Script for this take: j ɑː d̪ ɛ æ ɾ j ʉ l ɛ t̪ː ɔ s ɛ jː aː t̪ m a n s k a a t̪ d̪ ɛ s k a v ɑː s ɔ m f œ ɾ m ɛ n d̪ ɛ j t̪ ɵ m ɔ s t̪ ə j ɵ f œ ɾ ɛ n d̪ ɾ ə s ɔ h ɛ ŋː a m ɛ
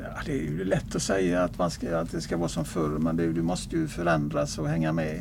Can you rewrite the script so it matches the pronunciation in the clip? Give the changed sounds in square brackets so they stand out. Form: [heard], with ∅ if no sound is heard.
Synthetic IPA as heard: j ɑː d̪ ɛ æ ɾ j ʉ l ɛ t̪ː ɔ s ɛ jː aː t̪ m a n s k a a t̪ d̪ ɛ s k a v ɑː s ɔ m f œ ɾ m ɛ n d̪ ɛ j [d̪] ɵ m ɔ s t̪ ə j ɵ f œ ɾ ɛ n d̪ ɾ [a] s ɔ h ɛ ŋː a m ɛ